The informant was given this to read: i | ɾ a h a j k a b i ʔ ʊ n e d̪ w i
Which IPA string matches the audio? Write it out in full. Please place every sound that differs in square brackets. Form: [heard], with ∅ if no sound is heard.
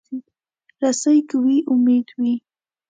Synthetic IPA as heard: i | ɾ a [s] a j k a [w] i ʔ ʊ [m] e d̪ w i